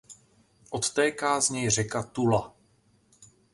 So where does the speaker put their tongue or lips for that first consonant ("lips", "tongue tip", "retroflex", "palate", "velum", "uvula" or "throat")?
throat